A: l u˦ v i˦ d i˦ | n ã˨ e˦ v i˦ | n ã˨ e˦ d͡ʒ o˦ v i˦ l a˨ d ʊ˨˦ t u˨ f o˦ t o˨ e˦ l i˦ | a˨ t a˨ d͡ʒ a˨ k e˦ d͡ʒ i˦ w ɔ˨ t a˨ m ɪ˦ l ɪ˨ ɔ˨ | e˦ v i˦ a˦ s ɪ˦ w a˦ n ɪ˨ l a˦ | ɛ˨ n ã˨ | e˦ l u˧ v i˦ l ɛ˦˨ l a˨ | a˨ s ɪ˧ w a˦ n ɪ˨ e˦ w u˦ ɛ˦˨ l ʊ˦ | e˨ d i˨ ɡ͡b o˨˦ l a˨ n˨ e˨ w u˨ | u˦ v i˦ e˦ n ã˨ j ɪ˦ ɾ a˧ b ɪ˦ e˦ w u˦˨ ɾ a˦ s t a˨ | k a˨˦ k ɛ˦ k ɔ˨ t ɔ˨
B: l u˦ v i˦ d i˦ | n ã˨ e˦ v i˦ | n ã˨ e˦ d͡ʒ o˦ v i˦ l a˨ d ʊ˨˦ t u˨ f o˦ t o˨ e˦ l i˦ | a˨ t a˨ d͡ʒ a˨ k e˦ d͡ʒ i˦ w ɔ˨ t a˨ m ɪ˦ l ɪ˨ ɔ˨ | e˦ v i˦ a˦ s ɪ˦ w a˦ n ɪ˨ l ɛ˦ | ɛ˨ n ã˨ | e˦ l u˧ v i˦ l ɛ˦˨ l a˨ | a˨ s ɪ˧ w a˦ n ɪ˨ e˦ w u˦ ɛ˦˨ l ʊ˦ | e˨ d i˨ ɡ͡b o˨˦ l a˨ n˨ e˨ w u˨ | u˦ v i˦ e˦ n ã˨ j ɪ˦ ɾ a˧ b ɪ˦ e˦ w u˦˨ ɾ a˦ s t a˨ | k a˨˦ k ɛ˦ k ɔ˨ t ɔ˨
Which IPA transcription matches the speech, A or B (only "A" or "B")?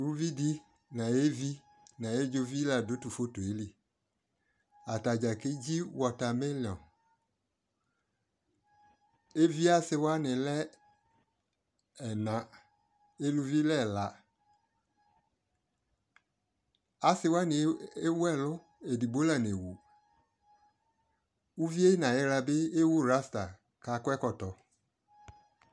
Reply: B